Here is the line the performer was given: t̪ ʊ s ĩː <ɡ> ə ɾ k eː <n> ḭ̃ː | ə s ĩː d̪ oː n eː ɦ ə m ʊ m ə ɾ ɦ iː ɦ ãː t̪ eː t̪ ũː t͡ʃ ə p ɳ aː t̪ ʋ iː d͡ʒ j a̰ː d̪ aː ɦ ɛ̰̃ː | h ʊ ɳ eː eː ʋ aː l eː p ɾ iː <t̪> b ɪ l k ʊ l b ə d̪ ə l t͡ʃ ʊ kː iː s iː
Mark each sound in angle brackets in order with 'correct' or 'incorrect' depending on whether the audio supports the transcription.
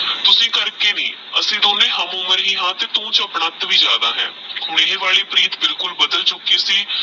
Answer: incorrect: k, correct, correct

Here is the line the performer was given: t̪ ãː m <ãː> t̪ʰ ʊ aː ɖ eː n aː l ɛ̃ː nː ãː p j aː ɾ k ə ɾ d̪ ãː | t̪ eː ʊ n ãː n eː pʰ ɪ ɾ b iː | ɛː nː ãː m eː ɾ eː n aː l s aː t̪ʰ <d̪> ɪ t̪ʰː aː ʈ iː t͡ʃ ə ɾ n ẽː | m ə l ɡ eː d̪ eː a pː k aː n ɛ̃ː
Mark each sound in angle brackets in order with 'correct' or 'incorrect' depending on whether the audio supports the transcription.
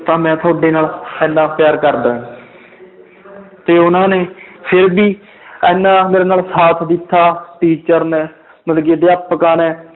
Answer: incorrect: ɛ̃ː, correct

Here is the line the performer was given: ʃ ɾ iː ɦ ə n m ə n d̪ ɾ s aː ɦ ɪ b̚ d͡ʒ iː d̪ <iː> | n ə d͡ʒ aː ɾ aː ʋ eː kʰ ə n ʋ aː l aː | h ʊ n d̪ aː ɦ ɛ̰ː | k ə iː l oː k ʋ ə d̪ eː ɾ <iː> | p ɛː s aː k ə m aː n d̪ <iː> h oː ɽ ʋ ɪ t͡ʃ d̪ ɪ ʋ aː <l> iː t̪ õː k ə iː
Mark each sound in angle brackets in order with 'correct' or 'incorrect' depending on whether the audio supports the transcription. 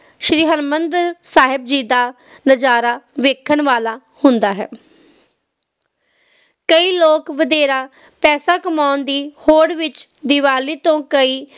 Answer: incorrect: aː, incorrect: aː, correct, correct

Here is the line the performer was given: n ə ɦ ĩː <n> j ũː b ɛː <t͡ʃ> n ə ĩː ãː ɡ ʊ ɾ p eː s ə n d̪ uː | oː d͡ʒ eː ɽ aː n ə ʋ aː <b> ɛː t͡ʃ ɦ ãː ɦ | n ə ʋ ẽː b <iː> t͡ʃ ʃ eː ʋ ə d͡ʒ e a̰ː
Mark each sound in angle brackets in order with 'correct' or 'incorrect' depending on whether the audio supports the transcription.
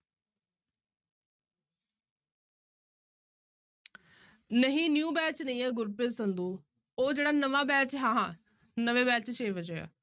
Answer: correct, correct, correct, incorrect: ɛː

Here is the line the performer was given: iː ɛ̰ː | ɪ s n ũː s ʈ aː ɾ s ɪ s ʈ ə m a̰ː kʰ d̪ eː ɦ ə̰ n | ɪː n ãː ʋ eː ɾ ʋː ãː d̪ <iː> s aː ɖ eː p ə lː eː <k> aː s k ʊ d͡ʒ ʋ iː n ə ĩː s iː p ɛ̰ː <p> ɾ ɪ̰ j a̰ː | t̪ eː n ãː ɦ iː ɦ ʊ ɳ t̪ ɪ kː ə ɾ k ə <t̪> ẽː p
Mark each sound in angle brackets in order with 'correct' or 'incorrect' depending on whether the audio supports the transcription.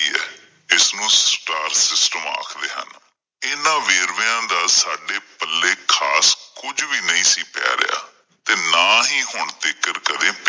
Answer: incorrect: aː, incorrect: kʰ, incorrect: none, incorrect: d̪

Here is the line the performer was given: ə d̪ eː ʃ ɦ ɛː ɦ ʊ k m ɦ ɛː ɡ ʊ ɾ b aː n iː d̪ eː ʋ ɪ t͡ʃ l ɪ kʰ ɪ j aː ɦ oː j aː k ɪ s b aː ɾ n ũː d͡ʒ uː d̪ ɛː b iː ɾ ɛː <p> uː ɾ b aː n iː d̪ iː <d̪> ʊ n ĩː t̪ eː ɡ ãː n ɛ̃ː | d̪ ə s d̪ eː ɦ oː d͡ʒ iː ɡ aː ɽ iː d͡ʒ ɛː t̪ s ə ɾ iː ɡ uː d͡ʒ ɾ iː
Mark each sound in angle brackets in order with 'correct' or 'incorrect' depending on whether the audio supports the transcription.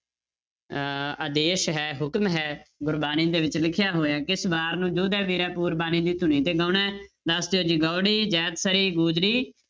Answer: correct, incorrect: t̪

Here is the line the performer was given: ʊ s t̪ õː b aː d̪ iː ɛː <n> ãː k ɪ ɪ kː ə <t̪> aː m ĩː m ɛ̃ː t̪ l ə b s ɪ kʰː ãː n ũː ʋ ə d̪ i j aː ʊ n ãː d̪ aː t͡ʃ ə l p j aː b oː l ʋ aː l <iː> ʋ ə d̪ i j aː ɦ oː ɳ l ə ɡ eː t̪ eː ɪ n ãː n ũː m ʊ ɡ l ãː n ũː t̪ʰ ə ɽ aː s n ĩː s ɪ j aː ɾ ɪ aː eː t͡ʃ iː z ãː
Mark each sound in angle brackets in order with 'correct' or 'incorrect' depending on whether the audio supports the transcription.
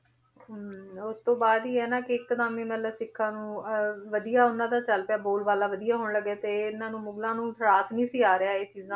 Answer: correct, incorrect: d̪, incorrect: aː

